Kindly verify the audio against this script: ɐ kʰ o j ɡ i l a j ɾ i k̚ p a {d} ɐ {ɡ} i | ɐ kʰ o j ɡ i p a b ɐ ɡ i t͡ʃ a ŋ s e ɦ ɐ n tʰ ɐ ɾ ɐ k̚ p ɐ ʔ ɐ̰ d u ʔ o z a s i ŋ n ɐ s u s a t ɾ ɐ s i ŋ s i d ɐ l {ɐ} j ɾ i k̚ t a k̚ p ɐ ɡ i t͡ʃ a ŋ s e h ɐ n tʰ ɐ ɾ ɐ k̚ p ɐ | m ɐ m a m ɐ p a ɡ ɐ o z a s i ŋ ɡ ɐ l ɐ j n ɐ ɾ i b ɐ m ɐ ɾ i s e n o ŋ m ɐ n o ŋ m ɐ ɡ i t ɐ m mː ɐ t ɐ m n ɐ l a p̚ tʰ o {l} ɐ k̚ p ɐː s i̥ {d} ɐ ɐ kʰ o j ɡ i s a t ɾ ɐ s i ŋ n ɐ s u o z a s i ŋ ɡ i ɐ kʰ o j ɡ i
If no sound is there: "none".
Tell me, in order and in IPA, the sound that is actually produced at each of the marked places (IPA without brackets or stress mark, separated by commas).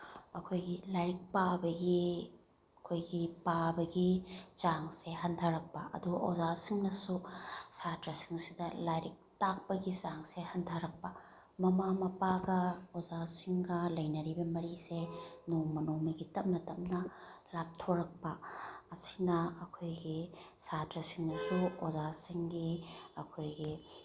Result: b, ɡ, a, ɾ, n